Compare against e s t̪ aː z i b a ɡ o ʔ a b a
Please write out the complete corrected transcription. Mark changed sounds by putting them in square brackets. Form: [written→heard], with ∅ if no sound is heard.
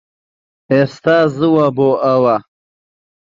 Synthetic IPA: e s t̪ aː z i [b→w] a [ɡ→b] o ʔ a [b→w] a

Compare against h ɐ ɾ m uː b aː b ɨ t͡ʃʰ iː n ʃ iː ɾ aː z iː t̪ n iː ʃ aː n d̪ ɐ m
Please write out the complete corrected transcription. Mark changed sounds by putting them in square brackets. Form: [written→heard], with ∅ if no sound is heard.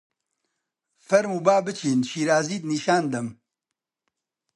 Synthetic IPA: [h→f] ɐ ɾ m uː b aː b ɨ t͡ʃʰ iː n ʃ iː ɾ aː z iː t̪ n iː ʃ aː n d̪ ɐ m

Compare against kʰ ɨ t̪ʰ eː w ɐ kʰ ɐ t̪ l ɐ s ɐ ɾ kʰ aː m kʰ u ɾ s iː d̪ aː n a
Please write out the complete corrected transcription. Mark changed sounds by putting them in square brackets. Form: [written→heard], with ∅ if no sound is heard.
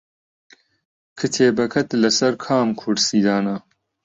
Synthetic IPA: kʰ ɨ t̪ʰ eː [w→b] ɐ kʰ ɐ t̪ l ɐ s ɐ ɾ kʰ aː m kʰ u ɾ s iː d̪ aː n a

